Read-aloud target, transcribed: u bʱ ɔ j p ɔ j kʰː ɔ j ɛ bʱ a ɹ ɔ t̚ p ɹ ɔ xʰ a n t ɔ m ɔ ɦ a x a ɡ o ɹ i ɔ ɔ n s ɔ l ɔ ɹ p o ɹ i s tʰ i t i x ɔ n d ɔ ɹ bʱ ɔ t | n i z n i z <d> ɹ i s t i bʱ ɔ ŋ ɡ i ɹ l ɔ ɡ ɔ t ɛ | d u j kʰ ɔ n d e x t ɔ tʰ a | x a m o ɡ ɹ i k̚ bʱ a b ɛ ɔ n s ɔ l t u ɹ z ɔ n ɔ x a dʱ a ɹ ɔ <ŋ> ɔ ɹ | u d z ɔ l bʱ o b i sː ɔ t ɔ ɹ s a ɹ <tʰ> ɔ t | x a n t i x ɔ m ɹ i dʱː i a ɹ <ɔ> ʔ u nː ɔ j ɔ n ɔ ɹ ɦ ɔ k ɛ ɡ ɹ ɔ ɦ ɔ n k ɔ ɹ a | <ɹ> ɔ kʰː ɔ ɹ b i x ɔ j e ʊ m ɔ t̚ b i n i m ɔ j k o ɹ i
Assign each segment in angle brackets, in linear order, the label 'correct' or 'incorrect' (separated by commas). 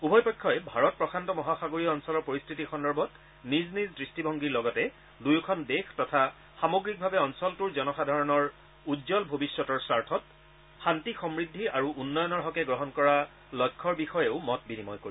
correct, incorrect, correct, incorrect, incorrect